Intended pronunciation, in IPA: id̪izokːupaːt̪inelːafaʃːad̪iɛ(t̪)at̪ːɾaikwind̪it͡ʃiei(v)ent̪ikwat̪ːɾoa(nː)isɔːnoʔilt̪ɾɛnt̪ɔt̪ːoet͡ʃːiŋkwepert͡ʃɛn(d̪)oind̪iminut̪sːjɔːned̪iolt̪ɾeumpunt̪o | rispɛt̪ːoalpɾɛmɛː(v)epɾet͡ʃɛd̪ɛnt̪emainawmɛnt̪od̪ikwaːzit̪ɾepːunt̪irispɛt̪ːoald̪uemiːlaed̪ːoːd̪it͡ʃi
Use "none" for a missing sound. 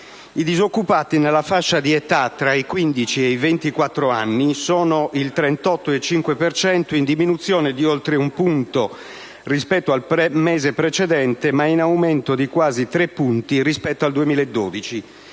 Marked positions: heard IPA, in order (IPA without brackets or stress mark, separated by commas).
t̪, v, nː, t̪, z